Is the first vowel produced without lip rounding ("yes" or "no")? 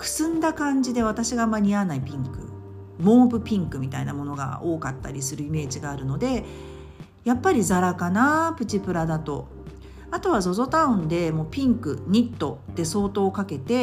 yes